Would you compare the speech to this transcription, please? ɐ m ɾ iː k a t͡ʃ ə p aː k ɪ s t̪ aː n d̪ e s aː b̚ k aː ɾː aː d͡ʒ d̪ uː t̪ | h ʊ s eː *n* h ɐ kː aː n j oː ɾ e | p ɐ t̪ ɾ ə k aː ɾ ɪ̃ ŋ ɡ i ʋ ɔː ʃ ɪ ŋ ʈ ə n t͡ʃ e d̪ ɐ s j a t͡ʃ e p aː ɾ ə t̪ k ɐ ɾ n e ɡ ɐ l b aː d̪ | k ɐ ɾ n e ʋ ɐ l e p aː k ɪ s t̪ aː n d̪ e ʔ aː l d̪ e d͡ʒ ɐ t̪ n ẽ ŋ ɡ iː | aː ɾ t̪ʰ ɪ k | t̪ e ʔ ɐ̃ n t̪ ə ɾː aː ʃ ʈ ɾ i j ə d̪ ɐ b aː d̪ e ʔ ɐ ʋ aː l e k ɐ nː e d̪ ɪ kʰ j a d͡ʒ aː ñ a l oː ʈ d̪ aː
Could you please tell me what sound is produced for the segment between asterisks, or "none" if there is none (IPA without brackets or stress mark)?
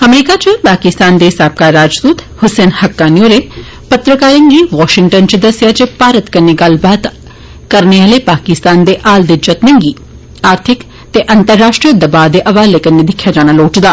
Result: n